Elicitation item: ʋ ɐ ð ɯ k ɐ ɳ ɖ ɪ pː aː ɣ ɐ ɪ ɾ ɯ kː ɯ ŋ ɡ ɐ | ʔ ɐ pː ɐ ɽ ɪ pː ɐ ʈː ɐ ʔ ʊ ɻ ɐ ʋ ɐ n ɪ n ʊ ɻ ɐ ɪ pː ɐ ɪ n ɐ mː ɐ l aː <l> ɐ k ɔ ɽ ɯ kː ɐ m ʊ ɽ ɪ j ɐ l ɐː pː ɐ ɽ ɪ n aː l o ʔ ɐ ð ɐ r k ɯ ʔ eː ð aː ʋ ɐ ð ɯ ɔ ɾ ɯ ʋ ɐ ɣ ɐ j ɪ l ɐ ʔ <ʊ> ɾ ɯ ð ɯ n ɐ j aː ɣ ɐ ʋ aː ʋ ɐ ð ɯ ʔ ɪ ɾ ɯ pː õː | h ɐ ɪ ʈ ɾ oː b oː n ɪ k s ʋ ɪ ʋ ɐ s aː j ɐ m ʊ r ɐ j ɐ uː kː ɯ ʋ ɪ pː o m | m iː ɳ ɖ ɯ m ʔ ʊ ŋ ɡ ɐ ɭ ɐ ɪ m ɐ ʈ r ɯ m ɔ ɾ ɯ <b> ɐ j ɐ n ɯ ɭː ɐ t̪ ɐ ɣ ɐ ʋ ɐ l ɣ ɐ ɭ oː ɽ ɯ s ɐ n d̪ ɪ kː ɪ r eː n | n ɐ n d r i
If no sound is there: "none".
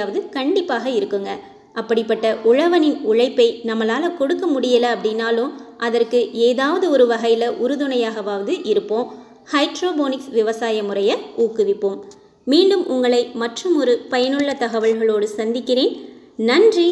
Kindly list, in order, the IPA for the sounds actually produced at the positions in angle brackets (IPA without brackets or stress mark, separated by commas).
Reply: l, ʊ, p